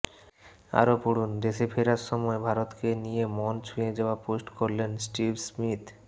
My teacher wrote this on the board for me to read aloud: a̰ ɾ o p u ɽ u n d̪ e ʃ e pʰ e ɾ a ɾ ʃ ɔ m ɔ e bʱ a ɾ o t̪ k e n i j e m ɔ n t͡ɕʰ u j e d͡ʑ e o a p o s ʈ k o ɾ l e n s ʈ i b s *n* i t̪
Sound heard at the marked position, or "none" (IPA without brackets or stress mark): m